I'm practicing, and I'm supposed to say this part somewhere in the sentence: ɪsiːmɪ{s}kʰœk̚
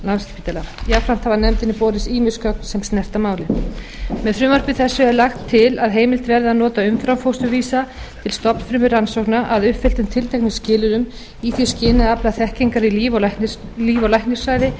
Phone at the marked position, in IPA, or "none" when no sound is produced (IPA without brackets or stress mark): s